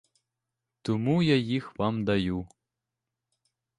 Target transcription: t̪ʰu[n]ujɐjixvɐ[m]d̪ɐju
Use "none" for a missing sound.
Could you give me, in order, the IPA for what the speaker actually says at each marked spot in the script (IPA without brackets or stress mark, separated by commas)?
m, m